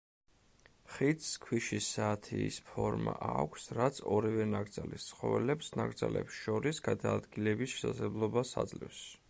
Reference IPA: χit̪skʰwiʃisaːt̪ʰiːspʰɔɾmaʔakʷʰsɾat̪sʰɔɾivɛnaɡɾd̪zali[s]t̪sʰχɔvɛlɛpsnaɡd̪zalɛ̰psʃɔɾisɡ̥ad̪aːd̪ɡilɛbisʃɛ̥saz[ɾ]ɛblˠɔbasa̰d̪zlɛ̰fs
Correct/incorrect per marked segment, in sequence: correct, incorrect

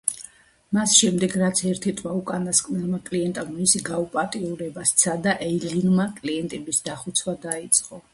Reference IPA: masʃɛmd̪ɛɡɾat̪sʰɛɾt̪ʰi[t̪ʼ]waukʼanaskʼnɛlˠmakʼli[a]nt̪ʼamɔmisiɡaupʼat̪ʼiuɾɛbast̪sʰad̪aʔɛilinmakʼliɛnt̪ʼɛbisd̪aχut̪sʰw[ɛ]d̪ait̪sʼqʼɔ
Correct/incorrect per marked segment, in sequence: correct, incorrect, incorrect

